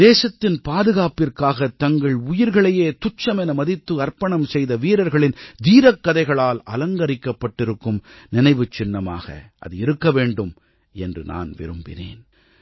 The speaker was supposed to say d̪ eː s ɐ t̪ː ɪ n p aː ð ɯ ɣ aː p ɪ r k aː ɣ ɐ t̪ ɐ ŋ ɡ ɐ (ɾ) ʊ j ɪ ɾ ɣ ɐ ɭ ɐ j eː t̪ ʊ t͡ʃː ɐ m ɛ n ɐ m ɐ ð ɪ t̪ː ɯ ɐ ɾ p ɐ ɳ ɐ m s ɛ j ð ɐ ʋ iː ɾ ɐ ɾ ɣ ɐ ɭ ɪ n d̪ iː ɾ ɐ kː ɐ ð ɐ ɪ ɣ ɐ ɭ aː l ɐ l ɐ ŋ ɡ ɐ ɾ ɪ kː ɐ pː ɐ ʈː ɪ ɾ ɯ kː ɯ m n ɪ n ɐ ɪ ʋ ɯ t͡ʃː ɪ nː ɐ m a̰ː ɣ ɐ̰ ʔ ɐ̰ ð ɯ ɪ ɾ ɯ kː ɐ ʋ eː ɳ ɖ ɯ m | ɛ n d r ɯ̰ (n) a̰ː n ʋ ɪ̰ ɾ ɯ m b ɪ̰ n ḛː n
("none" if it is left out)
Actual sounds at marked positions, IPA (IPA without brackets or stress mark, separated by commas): ɭ, n